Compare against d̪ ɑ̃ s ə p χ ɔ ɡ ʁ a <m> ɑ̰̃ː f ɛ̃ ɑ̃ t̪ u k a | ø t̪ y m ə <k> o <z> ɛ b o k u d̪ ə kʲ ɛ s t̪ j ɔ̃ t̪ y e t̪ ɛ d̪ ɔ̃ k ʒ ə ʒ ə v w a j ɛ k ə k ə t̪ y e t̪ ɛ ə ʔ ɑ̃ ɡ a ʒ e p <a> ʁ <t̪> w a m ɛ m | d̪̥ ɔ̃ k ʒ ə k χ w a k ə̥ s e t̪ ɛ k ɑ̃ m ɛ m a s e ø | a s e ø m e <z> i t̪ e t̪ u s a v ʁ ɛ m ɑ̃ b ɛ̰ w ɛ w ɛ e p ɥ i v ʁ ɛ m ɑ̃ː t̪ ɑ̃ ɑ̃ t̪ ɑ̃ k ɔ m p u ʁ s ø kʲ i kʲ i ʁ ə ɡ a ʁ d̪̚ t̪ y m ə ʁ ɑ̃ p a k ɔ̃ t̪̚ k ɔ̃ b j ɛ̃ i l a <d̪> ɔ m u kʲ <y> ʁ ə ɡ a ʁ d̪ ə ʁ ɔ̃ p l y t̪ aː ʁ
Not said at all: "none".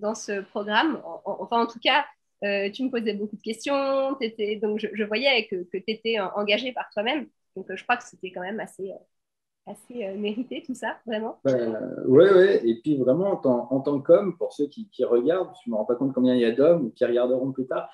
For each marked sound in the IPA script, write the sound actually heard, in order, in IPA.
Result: m, p, z, a, t̪, ʁ, d̪, i

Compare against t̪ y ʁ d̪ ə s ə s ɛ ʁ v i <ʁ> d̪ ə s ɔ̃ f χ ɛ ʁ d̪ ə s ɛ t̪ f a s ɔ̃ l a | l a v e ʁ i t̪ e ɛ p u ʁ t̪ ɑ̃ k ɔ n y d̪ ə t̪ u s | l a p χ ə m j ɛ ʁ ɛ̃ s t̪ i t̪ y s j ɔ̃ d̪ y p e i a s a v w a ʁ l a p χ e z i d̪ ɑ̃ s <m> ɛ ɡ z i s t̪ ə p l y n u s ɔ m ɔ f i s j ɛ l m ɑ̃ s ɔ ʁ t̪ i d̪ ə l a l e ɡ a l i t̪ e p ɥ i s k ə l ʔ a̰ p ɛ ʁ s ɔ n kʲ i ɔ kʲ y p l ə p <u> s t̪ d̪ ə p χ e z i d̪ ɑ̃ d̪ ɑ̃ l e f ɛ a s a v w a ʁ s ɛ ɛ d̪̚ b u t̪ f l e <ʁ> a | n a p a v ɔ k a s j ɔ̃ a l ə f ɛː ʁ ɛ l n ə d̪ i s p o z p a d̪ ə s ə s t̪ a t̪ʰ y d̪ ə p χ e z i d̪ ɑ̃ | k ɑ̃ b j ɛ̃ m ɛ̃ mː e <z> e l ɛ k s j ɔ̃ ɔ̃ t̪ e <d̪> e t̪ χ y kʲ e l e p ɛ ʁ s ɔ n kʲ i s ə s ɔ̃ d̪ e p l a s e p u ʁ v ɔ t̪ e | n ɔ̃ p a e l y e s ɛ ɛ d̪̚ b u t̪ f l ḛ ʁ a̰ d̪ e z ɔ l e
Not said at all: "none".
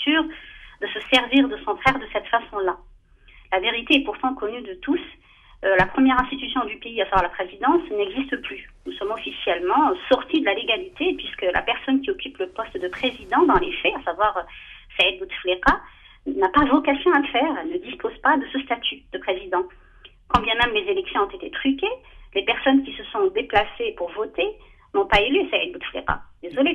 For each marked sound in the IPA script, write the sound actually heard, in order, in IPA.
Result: ʁ, n, ɔ, ʁ, z, t̪

